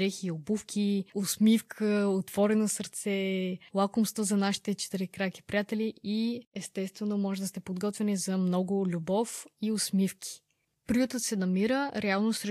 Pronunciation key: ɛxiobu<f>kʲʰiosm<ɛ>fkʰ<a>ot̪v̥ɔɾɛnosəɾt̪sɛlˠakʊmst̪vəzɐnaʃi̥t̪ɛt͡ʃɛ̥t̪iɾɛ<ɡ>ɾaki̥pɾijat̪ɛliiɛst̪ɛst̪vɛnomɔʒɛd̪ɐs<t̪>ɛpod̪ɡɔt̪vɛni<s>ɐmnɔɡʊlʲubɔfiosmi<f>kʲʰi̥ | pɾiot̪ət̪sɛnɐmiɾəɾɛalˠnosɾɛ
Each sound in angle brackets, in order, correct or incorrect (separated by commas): correct, incorrect, incorrect, incorrect, correct, incorrect, correct